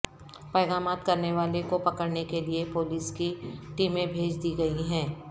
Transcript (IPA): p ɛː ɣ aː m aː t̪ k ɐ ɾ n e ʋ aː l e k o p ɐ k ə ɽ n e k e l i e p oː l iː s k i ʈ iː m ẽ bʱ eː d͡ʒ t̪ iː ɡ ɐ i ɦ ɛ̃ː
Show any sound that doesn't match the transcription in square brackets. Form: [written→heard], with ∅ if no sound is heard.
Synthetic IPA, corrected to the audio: p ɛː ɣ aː m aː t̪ k ɐ ɾ n e ʋ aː l e k o p ɐ k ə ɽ n e k e l i e p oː l iː s k i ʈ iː m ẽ bʱ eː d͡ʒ [t̪→d̪] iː ɡ ɐ i ɦ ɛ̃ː